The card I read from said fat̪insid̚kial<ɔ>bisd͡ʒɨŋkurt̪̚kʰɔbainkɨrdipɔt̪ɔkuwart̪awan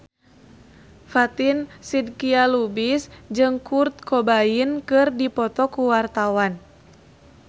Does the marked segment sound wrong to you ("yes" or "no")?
yes